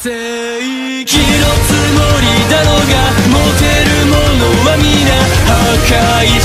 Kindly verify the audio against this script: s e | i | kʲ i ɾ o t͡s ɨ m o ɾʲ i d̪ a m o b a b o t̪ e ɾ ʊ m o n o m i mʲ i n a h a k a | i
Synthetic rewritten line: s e | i | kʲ i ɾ o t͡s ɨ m o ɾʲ i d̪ a n o ɡ a m o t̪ e ɾ ɯ m o n o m a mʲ i n a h a k a | i